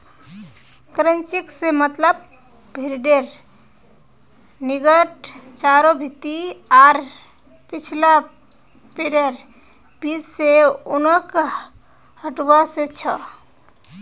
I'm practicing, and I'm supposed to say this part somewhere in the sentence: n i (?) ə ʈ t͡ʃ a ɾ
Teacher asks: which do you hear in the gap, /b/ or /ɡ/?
ɡ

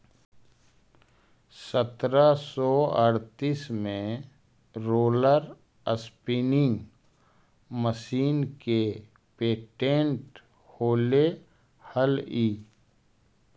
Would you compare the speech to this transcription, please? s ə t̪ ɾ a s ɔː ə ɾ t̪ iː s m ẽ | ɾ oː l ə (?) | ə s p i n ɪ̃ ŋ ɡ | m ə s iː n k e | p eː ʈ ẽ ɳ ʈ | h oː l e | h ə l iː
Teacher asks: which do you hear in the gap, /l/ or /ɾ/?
ɾ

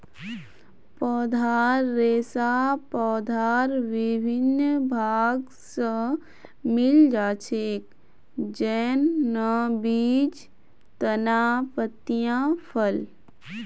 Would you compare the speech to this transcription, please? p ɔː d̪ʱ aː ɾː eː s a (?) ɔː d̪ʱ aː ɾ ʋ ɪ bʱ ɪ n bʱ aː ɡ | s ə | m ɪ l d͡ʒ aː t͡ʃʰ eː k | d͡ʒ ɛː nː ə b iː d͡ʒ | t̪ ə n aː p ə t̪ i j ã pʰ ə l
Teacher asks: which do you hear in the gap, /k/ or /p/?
p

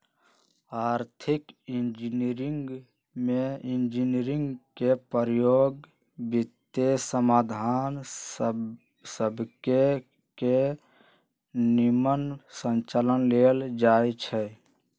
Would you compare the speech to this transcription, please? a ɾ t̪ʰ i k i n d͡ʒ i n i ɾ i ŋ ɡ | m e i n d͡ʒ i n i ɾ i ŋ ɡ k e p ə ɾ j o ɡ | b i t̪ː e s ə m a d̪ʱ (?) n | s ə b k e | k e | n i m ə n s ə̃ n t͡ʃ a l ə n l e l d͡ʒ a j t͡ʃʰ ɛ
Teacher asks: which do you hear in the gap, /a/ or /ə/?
a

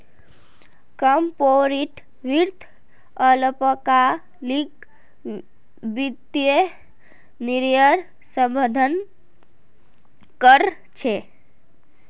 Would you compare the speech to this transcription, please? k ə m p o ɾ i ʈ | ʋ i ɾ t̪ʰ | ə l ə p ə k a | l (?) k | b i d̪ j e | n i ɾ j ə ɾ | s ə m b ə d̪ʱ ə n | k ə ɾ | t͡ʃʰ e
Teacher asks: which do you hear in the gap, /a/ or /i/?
i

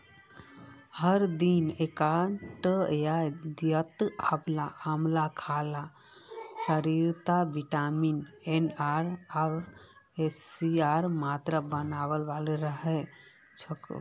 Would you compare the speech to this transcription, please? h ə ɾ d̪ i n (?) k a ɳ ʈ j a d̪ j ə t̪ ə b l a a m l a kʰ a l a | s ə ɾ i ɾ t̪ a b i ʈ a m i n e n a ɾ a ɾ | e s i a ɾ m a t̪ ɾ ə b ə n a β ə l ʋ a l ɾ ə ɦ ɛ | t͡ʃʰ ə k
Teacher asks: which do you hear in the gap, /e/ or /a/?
e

